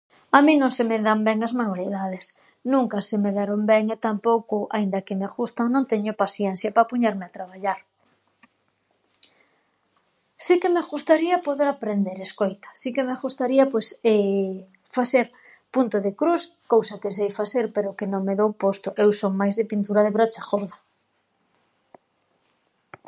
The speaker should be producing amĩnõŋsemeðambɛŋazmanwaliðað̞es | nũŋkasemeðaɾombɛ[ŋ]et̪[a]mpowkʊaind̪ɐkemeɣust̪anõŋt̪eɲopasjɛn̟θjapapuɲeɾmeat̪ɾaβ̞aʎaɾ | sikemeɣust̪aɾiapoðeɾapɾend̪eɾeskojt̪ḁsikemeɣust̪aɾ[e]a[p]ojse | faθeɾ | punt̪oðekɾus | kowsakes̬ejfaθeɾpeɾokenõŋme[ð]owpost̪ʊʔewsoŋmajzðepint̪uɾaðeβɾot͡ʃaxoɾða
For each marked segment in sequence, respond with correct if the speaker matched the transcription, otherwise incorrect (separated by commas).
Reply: correct, correct, incorrect, correct, correct